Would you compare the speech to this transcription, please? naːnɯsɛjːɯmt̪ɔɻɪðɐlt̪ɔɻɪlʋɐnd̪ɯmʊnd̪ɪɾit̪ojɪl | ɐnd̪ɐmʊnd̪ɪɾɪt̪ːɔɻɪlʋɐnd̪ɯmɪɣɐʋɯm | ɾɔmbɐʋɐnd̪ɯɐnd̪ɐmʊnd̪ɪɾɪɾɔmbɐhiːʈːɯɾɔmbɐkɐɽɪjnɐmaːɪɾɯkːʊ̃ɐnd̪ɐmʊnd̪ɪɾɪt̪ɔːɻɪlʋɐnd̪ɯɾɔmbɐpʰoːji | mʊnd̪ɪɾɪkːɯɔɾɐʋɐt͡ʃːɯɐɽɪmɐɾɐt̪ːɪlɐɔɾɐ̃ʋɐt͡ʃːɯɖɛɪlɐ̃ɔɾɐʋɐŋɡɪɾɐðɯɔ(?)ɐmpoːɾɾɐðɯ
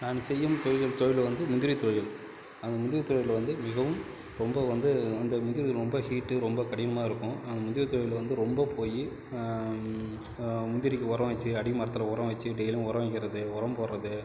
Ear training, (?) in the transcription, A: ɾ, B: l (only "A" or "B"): A